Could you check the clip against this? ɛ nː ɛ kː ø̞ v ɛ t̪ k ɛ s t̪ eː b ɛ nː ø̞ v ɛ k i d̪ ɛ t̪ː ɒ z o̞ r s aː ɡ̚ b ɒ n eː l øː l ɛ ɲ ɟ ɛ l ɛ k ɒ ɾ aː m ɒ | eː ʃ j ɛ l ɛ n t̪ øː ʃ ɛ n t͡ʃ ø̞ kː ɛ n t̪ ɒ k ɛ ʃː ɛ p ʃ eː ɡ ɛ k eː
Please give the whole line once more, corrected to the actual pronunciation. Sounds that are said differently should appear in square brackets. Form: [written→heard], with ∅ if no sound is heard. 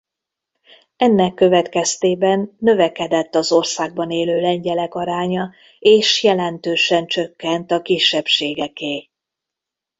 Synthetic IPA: ɛ nː ɛ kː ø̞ v ɛ t̪ k ɛ s t̪ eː b ɛ nː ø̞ v ɛ k [i→ɛ] d̪ ɛ t̪ː ɒ z o̞ r s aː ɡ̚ b ɒ n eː l øː l ɛ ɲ ɟ ɛ l ɛ k ɒ ɾ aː [m→ɲ] ɒ | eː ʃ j ɛ l ɛ n t̪ øː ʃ ɛ n t͡ʃ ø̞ kː ɛ n t̪ ɒ k [ɛ→i] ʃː ɛ p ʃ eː ɡ ɛ k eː